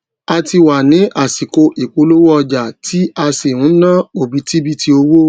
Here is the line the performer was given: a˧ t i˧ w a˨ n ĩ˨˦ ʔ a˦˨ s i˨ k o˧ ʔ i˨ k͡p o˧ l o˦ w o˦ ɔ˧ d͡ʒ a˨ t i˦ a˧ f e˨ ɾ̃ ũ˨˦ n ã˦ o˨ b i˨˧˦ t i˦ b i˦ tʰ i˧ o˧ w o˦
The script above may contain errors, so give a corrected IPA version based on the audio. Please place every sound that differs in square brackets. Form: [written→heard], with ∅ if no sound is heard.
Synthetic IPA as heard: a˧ t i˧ w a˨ n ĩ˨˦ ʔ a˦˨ s i˨ k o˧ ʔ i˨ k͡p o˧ l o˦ w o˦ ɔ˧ d͡ʒ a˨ t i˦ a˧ [f→s] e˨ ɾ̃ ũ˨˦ n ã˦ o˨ b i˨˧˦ t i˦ b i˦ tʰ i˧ o˧ w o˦